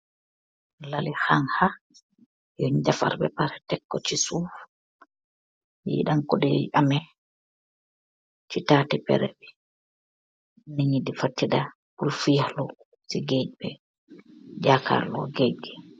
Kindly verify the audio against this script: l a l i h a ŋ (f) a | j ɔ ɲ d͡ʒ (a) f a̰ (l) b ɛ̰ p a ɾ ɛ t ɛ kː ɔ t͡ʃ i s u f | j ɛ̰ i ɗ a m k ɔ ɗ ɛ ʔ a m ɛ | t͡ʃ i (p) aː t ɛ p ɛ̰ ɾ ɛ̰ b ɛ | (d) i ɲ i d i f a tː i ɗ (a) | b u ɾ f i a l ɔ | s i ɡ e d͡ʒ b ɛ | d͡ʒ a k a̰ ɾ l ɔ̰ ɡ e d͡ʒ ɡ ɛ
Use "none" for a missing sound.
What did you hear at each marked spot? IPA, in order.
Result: h, a, ɾ, t, n, a

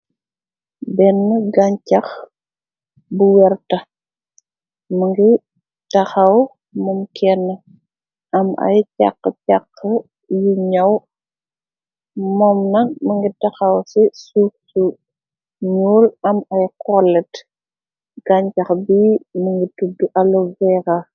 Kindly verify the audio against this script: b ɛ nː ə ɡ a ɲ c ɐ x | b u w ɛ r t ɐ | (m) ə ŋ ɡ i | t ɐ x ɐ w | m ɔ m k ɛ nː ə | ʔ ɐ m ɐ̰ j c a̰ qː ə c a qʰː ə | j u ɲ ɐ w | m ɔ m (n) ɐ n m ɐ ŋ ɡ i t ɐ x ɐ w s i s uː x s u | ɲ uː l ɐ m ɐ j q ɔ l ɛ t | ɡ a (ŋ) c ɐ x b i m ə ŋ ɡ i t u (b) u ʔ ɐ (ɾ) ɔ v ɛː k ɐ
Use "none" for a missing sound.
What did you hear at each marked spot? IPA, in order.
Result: m, n, ɲ, d, l

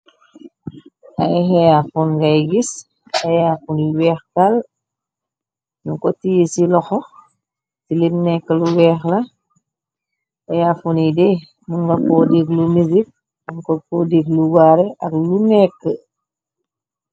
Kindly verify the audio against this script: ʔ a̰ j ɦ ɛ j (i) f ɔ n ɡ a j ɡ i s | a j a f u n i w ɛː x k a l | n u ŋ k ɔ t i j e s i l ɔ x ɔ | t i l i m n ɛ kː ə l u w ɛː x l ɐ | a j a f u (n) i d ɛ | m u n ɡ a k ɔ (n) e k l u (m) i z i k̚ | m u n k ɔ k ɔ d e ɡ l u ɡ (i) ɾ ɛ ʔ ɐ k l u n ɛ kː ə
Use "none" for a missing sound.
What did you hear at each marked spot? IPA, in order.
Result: a, n, d, m, a

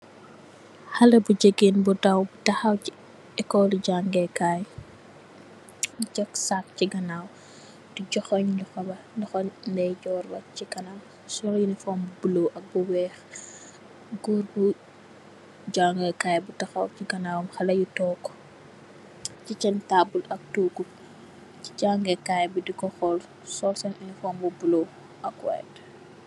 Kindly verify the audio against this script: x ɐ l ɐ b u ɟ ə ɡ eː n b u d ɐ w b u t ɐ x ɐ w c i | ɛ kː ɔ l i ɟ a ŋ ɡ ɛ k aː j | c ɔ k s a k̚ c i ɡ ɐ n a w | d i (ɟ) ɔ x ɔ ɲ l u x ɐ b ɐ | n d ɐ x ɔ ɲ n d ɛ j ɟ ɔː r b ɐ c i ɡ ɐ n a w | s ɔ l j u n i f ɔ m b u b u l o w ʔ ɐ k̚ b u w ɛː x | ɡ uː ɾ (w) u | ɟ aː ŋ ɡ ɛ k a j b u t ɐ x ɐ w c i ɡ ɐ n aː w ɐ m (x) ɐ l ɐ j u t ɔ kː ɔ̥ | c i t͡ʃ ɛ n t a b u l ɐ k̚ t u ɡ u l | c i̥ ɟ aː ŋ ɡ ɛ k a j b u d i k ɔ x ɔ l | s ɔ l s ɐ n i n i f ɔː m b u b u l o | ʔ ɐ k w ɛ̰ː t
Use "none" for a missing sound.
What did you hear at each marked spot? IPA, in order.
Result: ɟ, b, x

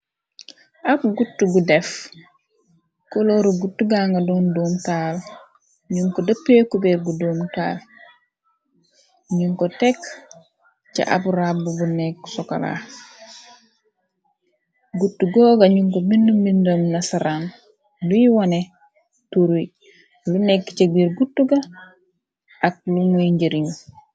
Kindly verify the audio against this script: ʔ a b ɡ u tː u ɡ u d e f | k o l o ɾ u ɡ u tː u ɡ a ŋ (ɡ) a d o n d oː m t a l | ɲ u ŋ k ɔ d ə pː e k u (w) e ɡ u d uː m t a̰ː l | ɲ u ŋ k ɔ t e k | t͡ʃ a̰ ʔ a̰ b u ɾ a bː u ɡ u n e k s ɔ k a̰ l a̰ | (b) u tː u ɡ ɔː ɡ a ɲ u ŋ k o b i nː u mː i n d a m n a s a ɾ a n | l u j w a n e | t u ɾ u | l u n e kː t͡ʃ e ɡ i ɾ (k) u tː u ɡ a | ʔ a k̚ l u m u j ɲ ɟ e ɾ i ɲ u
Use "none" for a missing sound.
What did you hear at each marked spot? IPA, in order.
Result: ɡ, b, ɡ, ɡ

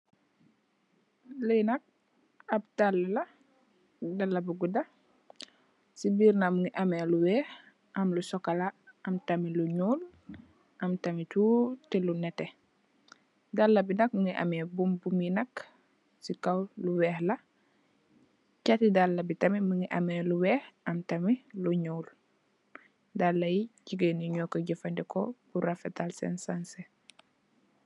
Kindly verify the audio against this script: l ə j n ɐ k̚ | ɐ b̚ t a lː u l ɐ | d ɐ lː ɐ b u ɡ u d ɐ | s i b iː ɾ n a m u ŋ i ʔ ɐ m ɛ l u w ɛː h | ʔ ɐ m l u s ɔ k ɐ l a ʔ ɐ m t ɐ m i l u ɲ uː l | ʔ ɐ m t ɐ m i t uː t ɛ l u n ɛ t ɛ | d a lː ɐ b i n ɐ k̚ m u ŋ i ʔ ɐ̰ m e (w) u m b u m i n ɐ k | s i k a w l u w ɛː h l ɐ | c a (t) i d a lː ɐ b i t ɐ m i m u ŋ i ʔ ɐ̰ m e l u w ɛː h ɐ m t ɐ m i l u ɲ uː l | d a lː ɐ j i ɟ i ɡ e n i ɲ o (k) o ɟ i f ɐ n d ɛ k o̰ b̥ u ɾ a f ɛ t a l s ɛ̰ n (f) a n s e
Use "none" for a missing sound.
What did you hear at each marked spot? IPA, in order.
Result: b, t, k, s

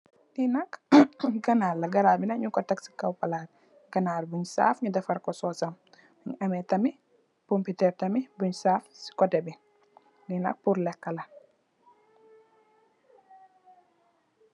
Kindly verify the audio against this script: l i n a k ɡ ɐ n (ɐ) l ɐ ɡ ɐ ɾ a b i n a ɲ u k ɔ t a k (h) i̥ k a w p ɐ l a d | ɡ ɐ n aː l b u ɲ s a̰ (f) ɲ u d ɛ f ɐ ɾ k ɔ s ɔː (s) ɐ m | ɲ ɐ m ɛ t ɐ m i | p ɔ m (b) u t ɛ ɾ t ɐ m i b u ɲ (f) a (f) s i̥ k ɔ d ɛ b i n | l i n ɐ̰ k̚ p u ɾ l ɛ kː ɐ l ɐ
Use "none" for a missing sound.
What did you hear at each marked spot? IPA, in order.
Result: a, s, f, s, p, s, f

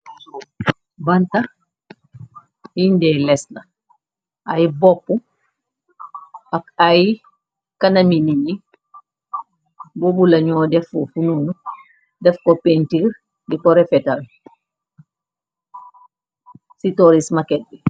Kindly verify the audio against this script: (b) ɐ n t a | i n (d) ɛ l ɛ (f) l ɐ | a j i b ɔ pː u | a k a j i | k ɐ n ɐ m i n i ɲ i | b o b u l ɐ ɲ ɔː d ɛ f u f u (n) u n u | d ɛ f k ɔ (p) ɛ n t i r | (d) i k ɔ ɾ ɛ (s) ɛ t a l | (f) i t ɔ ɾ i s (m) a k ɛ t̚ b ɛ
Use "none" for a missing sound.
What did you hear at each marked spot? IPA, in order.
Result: b, d, s, n, p, d, f, s, m

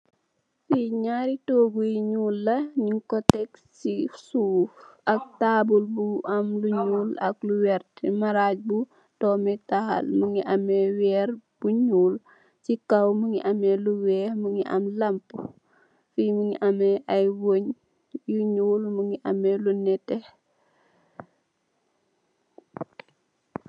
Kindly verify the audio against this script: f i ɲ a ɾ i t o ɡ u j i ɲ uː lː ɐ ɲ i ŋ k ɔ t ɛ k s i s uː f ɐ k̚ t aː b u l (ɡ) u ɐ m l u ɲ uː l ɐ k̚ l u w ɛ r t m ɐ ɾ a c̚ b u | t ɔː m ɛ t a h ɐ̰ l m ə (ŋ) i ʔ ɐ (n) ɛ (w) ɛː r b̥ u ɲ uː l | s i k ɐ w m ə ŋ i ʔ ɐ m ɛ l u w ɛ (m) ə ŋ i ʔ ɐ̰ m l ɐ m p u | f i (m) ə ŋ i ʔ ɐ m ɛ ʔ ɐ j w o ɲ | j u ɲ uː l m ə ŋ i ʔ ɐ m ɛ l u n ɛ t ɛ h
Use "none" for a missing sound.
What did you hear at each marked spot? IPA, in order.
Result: b, ŋ, m, w, m, m

